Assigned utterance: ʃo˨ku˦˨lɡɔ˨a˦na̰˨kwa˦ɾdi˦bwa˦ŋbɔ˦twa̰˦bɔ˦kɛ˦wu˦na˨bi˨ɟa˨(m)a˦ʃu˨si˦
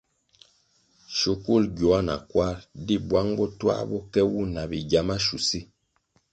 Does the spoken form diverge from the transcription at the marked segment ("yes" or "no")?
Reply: no